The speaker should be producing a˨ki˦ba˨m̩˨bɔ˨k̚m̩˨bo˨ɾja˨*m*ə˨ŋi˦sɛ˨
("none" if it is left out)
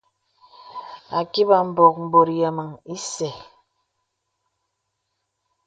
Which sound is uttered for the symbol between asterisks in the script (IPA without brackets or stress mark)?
m